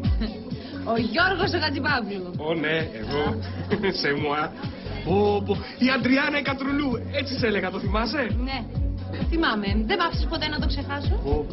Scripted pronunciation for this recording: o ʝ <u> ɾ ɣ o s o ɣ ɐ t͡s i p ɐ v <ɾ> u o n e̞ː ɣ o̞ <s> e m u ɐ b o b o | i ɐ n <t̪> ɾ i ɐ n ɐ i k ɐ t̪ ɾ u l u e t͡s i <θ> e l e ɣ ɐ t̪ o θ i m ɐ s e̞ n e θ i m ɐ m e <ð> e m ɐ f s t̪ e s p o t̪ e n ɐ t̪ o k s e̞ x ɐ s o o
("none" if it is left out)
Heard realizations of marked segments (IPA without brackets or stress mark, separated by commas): o, l, s, d̪, s, ð